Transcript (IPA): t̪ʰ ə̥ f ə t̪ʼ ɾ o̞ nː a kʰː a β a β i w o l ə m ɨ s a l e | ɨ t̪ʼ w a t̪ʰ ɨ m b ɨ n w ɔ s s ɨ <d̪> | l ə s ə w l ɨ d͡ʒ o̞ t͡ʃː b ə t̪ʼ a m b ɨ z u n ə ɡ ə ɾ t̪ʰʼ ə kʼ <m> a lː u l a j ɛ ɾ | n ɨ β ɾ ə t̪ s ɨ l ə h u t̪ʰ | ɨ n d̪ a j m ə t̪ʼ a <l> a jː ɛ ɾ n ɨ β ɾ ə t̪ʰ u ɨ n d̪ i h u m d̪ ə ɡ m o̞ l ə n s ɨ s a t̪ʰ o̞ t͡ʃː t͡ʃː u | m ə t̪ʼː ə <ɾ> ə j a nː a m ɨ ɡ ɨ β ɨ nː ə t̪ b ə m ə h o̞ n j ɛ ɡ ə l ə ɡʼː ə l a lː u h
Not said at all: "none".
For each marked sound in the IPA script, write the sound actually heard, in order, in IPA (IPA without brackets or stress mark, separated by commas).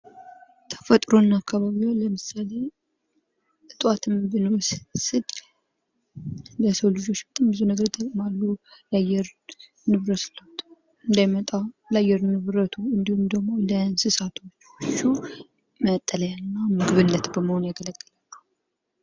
d̪, m, l, l